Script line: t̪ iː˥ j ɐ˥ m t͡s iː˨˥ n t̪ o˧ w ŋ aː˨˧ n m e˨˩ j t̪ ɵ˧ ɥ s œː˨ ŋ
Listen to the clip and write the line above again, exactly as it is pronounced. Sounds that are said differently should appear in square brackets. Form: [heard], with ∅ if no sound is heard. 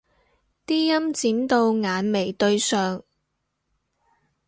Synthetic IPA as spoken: t̪ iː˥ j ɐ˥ m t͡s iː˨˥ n t̪ o˧ w ŋ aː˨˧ n m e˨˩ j t̪ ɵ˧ ɥ s œː˨ ŋ